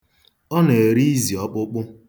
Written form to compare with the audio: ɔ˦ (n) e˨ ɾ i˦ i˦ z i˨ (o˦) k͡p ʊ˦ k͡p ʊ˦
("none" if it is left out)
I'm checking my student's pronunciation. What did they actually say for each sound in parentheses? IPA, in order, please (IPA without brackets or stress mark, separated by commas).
n, ɔ˦